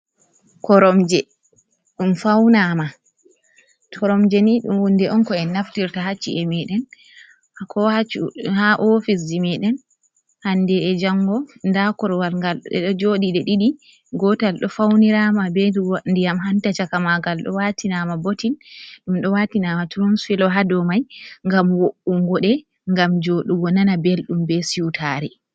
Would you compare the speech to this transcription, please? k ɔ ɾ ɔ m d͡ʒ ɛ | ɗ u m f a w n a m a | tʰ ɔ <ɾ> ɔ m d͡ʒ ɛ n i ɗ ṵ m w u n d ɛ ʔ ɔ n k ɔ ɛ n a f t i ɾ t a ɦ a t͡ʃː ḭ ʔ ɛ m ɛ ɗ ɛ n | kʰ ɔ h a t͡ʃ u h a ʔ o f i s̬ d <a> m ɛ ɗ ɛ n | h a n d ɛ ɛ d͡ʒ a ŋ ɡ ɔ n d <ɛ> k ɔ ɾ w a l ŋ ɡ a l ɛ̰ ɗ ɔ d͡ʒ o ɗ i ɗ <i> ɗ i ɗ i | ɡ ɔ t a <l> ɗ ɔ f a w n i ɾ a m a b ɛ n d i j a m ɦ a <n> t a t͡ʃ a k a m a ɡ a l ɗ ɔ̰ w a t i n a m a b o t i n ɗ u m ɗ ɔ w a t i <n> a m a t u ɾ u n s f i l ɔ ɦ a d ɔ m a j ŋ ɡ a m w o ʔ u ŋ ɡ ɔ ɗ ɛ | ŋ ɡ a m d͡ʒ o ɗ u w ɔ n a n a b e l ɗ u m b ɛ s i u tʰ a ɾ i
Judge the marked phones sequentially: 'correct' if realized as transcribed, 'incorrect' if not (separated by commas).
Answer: correct, incorrect, incorrect, incorrect, correct, correct, correct